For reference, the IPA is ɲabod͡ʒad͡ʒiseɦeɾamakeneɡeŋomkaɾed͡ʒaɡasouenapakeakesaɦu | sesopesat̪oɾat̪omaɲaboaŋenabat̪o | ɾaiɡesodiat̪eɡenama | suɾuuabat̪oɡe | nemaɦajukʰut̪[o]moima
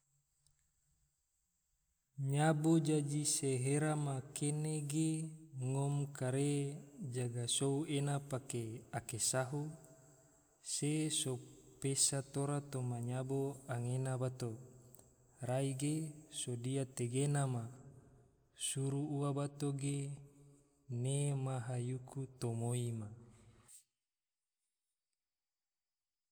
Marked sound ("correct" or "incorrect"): correct